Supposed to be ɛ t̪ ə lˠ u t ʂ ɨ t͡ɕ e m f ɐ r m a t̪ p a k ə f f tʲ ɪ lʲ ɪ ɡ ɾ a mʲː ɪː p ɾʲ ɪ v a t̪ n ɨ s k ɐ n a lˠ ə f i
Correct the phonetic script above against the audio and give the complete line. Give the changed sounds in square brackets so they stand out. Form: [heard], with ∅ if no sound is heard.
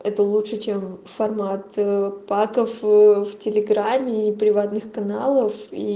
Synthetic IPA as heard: ɛ t̪ ə lˠ u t ʂ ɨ t͡ɕ e m f ɐ r m a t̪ p a k ə f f tʲ ɪ lʲ ɪ ɡ ɾ a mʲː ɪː p ɾʲ ɪ v a t̪ n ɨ [x] k ɐ n a lˠ ə f i